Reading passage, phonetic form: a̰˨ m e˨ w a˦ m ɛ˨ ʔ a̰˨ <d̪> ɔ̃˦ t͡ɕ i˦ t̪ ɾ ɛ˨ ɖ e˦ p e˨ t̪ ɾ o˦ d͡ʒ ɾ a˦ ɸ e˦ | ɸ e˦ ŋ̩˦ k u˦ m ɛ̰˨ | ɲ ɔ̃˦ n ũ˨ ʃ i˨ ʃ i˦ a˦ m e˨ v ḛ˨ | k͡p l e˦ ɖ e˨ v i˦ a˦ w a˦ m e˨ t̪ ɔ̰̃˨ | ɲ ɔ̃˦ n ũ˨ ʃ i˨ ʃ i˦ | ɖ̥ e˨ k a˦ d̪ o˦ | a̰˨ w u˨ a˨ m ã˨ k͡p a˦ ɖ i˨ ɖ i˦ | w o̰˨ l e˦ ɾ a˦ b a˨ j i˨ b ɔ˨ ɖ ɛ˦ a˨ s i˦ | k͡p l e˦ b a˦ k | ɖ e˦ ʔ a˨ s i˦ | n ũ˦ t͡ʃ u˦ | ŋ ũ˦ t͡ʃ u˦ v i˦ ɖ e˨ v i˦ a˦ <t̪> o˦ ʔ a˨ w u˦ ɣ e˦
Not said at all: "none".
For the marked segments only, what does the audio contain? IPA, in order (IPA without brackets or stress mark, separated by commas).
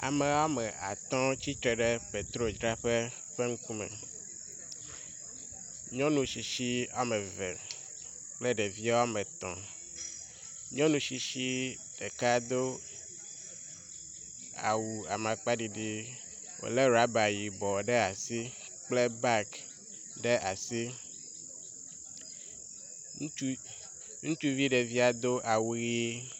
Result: t̪, d̪